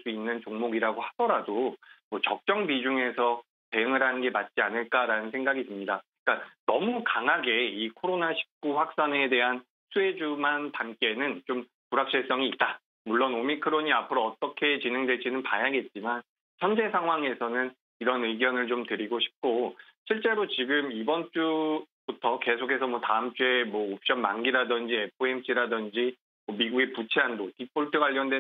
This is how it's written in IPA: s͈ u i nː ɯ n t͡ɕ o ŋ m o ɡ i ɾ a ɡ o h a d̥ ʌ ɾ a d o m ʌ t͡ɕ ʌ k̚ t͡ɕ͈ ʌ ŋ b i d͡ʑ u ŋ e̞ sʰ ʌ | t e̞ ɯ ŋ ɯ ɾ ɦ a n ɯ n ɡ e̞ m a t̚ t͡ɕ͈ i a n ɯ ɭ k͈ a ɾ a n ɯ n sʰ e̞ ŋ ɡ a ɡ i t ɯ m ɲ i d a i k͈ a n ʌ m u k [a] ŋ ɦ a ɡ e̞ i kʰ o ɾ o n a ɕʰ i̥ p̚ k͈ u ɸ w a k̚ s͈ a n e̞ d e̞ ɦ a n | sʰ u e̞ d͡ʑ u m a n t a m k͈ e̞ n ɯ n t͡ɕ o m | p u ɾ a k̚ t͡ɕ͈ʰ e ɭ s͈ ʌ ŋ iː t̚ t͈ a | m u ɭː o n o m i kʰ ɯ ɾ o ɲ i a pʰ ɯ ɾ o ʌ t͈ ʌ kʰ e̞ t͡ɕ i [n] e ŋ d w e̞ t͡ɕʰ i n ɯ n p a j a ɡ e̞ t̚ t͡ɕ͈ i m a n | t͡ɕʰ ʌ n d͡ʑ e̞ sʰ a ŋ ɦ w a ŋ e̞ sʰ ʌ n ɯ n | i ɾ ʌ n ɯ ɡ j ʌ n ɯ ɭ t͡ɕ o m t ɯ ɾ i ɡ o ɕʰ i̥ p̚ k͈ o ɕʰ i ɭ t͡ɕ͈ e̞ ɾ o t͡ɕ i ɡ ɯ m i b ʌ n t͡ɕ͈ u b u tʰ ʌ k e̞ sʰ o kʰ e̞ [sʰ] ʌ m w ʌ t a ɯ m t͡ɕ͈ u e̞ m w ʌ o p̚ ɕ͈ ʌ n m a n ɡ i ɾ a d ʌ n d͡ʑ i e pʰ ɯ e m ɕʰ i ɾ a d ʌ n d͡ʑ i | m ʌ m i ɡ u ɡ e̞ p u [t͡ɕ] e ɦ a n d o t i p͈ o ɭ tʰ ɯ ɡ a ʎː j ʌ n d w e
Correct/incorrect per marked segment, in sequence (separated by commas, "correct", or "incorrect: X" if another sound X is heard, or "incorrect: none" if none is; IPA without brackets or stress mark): correct, correct, correct, incorrect: t͡ɕʰ